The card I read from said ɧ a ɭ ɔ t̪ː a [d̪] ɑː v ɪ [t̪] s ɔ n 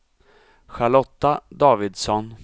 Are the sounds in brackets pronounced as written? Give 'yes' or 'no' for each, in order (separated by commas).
yes, no